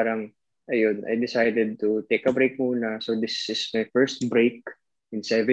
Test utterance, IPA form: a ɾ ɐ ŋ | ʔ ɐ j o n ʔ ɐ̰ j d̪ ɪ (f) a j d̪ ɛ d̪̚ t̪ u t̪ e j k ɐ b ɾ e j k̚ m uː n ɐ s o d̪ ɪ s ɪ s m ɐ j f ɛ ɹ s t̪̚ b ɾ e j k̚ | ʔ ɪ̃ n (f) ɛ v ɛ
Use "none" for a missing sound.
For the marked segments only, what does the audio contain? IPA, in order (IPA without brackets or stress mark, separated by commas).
s, s